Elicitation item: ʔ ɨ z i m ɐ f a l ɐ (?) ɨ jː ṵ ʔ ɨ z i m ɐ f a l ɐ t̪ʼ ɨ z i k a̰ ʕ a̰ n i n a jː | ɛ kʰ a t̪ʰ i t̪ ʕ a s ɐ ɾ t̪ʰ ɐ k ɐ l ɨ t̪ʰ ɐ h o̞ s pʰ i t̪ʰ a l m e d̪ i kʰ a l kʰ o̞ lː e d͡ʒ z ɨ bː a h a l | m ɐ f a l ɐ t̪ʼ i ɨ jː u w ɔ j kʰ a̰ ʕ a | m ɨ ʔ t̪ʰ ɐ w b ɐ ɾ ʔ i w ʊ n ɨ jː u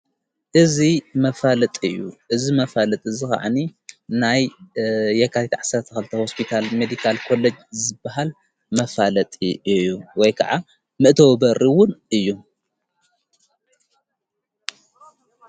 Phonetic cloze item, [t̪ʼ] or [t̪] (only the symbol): t̪ʼ